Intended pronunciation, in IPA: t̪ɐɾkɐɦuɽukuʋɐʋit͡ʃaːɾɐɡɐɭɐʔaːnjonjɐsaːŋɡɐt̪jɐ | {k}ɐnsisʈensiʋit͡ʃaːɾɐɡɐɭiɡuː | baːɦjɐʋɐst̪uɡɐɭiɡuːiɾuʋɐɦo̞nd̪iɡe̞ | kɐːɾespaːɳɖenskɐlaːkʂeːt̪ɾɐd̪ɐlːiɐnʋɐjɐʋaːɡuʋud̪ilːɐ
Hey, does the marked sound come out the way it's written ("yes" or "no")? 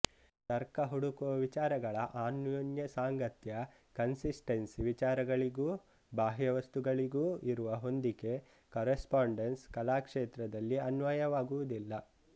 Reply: yes